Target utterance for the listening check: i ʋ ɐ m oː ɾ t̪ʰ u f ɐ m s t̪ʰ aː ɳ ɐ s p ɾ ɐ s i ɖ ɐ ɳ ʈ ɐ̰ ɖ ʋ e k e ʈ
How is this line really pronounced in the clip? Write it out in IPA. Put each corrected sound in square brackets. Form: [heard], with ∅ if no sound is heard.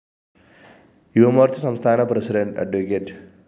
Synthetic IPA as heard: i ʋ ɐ m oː ɾ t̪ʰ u [s] ɐ m s t̪ʰ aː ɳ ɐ [∅] p ɾ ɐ s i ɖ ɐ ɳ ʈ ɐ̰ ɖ ʋ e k e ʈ

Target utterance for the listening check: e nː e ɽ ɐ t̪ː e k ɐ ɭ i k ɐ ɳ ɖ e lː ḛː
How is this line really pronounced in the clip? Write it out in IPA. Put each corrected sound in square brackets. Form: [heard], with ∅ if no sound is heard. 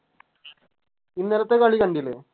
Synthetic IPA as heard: [i] nː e [l] ɐ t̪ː e k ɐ ɭ i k ɐ ɳ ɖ [i] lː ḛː

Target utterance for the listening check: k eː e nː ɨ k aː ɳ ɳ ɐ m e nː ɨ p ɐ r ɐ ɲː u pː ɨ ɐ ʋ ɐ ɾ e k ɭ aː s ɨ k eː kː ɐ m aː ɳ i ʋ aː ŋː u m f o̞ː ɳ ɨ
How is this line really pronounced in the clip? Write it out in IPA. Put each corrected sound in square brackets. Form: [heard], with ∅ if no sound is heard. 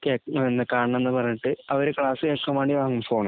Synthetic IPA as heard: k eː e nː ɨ k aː ɳ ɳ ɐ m e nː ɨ p ɐ r ɐ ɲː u [ʈː] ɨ ɐ ʋ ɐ ɾ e k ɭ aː s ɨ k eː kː ɐ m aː ɳ i ʋ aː ŋː u m f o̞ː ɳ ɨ

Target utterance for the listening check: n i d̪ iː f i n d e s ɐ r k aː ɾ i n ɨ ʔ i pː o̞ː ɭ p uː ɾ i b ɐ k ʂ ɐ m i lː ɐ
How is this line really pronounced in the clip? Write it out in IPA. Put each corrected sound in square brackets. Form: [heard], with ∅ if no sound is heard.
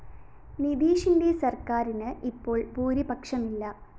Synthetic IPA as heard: n i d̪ iː [ʂ] i n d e s ɐ r k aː ɾ i n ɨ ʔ i pː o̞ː ɭ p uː ɾ i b ɐ k ʂ ɐ m i lː ɐ

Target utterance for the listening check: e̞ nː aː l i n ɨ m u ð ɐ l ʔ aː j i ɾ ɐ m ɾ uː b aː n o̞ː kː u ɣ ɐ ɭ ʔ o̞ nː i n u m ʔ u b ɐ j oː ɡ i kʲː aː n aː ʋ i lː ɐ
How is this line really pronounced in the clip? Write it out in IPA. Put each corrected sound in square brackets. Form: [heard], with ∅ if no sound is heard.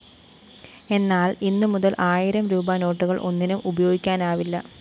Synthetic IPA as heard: e̞ nː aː l i [nː] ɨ m u ð ɐ l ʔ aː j i ɾ ɐ m ɾ uː b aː n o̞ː [ʈː] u ɣ ɐ ɭ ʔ o̞ nː i n u m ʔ u b ɐ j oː ɡ i kʲː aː n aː ʋ i lː ɐ

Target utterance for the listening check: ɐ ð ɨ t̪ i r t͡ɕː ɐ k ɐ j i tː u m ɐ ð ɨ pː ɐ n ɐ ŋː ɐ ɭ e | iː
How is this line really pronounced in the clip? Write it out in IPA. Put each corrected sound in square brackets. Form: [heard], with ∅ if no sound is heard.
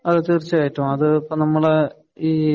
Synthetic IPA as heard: ɐ ð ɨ t̪ i r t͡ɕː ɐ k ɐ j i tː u m ɐ ð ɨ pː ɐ n ɐ [mː] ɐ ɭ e | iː

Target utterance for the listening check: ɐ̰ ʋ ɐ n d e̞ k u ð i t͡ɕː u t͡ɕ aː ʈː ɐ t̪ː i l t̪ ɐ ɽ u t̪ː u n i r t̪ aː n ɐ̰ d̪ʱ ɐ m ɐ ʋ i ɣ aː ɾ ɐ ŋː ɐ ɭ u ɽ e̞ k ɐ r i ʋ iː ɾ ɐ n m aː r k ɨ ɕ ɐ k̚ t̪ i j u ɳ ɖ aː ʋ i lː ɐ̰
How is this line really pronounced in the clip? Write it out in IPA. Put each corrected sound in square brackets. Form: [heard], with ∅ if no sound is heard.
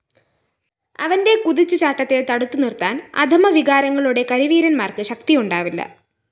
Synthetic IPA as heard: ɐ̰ ʋ ɐ n d e̞ k u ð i t͡ɕː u t͡ɕ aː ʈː ɐ t̪ː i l t̪ ɐ ɽ u t̪ː u n i r t̪ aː n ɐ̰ d̪ʱ ɐ m ɐ ʋ i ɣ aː ɾ ɐ ŋː ɐ ɭ u ɽ e̞ k ɐ [ɾ] i ʋ iː ɾ ɐ n m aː r k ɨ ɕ ɐ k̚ t̪ i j u ɳ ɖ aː ʋ i lː ɐ̰

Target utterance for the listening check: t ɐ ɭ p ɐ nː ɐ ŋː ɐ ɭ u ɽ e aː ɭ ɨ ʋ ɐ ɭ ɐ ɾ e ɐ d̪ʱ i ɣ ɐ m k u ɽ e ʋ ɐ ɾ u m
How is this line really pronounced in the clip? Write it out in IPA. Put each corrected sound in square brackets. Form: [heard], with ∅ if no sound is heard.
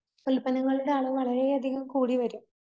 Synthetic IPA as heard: [k] ɐ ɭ p ɐ [n] ɐ ŋː ɐ ɭ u ɽ e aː ɭ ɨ ʋ ɐ ɭ ɐ ɾ e ɐ d̪ʱ i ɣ ɐ m k [uː] ɽ [i] ʋ ɐ ɾ u m

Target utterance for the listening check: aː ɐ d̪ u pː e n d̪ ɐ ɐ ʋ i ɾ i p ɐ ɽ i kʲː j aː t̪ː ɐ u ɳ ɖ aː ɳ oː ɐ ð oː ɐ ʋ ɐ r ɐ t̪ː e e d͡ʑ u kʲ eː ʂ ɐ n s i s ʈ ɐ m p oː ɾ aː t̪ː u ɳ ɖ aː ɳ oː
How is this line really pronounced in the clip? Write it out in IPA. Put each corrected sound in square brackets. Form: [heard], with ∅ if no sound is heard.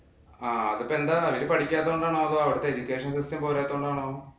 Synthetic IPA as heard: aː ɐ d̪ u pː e n d̪ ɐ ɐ ʋ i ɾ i p ɐ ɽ i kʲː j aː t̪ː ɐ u ɳ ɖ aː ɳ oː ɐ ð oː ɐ ʋ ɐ [ɽ] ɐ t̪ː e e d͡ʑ u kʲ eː ʂ ɐ n s i s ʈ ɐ m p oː ɾ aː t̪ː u ɳ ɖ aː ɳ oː

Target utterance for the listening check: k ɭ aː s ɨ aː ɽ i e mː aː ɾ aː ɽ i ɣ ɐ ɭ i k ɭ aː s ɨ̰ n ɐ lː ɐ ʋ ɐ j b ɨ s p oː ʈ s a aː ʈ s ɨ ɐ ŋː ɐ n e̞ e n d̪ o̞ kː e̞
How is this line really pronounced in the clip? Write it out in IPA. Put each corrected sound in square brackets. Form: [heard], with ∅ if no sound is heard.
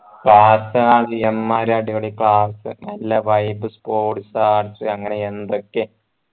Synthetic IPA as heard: k ɭ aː s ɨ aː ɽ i e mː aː ɾ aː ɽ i ɣ ɐ ɭ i k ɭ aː s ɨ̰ n ɐ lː ɐ ʋ ɐ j b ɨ s p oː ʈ s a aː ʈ s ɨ ɐ ŋː ɐ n e̞ e n d̪ o̞ kː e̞

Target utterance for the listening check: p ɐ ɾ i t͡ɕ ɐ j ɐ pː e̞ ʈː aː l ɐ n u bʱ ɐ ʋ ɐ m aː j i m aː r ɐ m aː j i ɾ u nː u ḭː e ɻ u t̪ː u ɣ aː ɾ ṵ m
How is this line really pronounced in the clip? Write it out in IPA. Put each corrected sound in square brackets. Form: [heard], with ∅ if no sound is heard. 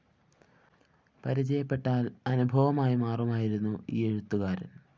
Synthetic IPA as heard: p ɐ ɾ i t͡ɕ ɐ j ɐ pː e̞ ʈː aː l ɐ n u bʱ ɐ ʋ ɐ m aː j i m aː r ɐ m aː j i ɾ u nː u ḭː e ɻ u t̪ː u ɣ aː ɾ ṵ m

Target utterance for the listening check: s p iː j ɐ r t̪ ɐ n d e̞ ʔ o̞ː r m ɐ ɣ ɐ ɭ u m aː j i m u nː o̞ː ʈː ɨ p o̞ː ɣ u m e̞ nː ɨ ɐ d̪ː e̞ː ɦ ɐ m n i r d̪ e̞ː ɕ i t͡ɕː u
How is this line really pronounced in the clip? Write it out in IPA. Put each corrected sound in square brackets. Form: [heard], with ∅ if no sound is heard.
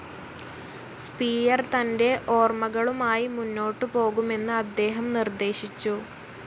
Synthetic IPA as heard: s p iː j ɐ r t̪ ɐ n d e̞ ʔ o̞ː r m ɐ ɣ ɐ ɭ u m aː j i m u nː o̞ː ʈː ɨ p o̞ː ɣ u m e̞ nː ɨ ɐ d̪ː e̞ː ɦ ɐ m n i r d̪ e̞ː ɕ i t͡ɕː u

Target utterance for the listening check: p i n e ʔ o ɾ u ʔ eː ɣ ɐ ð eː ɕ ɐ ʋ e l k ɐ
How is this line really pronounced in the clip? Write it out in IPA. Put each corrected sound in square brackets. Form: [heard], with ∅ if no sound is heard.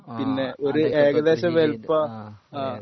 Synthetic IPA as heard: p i [nː] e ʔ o ɾ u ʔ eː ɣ ɐ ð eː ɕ ɐ ʋ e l [p] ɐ

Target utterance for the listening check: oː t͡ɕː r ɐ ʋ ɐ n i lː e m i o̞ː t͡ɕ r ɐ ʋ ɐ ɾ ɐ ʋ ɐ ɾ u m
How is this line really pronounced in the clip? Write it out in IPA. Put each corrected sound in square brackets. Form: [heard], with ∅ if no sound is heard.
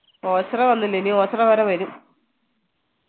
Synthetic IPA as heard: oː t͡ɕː r ɐ ʋ ɐ [nː] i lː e [n] i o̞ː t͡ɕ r ɐ ʋ ɐ ɾ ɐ ʋ ɐ ɾ u m

